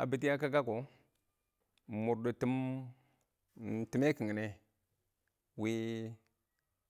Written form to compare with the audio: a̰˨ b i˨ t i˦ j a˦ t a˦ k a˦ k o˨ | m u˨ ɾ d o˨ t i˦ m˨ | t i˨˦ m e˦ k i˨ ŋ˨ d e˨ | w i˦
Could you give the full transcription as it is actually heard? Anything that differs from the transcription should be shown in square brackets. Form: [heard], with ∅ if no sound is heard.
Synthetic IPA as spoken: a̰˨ b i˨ t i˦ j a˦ [k] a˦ k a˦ k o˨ | m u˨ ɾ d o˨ t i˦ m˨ | t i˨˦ m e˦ k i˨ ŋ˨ [n] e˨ | w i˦